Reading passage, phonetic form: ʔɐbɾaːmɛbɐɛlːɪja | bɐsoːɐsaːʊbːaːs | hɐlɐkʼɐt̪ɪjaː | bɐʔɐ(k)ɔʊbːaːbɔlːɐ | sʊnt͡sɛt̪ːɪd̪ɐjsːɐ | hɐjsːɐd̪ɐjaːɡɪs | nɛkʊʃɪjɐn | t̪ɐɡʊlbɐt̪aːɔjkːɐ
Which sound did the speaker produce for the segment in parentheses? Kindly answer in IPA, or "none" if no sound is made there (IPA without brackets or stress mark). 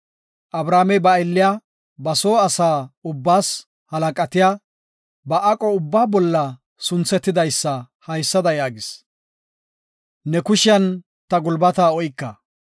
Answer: kʼ